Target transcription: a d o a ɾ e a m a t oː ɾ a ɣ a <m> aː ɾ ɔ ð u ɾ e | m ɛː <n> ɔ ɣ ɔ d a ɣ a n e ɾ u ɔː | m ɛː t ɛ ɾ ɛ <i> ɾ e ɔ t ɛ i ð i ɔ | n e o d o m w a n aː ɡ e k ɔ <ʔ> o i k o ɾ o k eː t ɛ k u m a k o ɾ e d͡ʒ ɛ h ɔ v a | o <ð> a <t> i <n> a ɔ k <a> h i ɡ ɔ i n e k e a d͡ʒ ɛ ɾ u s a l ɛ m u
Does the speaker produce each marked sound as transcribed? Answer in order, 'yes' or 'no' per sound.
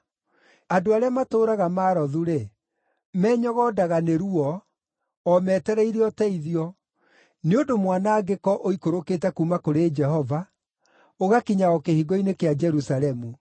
yes, no, yes, yes, no, no, no, no

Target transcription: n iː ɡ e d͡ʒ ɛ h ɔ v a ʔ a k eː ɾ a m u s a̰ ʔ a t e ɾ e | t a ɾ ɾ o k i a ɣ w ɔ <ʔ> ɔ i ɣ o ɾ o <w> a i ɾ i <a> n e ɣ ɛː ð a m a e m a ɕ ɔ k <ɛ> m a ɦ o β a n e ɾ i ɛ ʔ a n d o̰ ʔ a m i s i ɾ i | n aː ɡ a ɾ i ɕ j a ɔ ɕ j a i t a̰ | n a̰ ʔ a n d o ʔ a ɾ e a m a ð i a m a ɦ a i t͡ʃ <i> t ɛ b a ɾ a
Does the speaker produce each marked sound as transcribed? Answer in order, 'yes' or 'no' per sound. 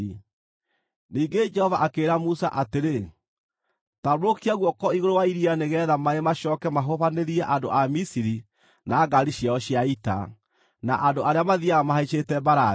no, yes, yes, yes, no

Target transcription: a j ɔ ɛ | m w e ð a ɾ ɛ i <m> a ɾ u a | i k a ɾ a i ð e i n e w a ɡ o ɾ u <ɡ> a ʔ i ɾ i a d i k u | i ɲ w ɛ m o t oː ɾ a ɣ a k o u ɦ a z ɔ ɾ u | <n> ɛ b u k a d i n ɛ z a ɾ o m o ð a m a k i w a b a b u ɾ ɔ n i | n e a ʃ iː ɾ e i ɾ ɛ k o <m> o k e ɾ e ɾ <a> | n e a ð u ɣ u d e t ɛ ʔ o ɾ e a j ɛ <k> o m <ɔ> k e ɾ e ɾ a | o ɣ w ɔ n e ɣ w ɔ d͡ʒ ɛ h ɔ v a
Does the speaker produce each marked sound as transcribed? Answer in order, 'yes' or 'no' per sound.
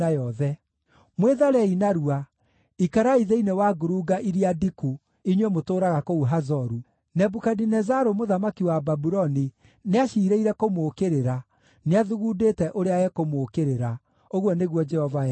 no, yes, yes, yes, yes, yes, no

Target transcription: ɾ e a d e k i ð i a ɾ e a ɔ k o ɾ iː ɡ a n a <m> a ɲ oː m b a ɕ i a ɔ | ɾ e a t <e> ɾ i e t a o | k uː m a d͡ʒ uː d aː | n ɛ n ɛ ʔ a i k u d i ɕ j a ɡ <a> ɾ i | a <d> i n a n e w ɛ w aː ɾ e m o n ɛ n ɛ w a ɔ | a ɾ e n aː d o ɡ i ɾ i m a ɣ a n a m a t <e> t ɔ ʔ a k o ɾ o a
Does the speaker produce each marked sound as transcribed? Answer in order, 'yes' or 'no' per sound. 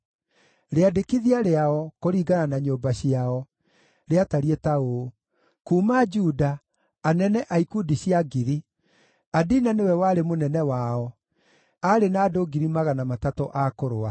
no, no, no, yes, no

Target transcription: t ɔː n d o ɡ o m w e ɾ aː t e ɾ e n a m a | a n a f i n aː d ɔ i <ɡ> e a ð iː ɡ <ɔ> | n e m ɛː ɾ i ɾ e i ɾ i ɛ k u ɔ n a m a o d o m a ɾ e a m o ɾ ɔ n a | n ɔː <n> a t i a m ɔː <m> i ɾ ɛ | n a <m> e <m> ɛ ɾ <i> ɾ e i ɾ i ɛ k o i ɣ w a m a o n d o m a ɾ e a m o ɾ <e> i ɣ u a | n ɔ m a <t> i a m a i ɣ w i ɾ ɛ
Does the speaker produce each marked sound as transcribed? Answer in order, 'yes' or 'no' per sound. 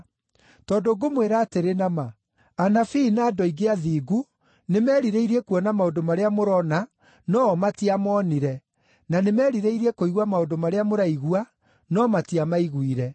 yes, no, no, no, no, yes, yes, no, yes

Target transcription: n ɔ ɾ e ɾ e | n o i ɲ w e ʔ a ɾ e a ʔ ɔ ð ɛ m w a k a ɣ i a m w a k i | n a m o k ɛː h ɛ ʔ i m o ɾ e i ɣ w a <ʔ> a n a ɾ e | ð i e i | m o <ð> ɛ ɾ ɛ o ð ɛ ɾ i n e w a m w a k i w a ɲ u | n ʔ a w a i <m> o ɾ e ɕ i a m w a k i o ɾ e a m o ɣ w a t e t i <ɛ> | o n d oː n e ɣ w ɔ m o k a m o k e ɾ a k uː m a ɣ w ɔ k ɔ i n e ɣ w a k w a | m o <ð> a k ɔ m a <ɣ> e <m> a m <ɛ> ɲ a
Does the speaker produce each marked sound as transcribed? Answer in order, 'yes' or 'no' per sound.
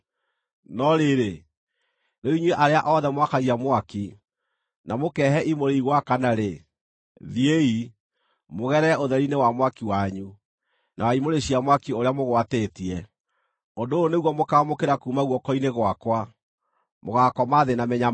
no, no, yes, yes, no, no, no, yes

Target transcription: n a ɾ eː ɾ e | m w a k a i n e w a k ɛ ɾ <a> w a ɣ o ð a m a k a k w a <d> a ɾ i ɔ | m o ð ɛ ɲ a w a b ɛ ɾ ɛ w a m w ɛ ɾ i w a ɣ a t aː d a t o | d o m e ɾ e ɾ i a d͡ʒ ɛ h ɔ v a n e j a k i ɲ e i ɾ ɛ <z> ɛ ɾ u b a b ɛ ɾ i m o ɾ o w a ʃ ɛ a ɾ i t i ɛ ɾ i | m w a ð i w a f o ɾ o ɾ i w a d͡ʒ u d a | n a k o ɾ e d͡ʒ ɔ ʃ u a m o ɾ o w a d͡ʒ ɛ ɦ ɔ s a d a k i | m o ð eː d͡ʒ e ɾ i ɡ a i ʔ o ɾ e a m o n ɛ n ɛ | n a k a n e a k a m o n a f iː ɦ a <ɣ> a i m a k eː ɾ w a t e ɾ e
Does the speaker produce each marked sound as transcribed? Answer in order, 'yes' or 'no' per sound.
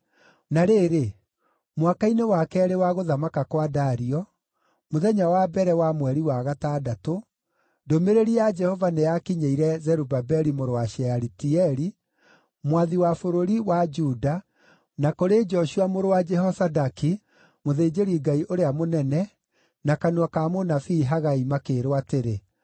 no, yes, yes, yes

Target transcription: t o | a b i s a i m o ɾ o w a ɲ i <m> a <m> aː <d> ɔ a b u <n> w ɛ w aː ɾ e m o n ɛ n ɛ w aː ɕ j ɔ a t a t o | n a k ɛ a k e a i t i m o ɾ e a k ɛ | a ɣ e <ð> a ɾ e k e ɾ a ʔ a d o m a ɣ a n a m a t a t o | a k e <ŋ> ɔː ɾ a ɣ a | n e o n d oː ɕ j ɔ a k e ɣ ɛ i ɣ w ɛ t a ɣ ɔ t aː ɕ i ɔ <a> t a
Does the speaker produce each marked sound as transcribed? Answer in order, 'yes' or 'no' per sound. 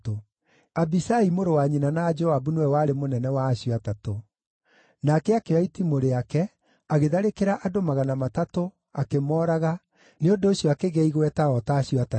no, no, no, yes, yes, no, yes

